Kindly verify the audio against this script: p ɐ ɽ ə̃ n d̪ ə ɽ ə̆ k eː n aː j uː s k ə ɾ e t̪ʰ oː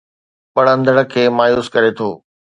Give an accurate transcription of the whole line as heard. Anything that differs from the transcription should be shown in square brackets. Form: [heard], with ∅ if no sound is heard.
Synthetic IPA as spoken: p ɐ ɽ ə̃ n d̪ ə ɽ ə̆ [kʰ] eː [m] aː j uː s k [ɐ] ɾ e t̪ʰ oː